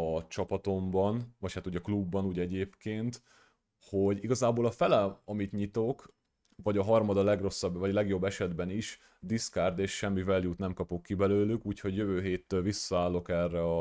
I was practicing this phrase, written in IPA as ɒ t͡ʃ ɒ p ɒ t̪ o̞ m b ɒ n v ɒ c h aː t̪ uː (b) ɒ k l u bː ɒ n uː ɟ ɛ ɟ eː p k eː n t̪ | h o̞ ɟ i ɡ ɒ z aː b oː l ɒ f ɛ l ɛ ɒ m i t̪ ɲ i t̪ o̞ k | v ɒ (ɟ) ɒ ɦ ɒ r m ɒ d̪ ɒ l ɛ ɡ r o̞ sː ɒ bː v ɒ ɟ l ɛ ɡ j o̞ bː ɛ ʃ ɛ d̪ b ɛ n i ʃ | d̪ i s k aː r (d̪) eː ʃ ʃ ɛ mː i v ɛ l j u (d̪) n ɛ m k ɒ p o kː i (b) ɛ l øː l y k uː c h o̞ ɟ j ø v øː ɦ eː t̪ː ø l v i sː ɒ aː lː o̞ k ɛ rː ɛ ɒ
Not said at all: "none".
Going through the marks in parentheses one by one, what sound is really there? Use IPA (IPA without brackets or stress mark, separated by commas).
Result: ɟ, ɟ, d̪, t̪, b